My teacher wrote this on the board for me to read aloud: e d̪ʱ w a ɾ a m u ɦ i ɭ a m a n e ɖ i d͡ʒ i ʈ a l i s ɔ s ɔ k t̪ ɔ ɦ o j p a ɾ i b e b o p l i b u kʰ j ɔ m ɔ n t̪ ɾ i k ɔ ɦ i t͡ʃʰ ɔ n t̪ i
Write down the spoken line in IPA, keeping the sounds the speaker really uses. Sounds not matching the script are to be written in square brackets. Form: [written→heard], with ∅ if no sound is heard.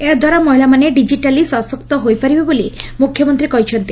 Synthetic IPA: e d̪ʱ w a ɾ a m [u→ɔ] ɦ i [ɭ→l] a m a n e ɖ i d͡ʒ i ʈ a l i s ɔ s ɔ k t̪ ɔ ɦ o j p a ɾ i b e b o [p→∅] l i [b→m] u kʰ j ɔ m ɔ n t̪ ɾ i k ɔ ɦ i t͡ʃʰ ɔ n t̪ i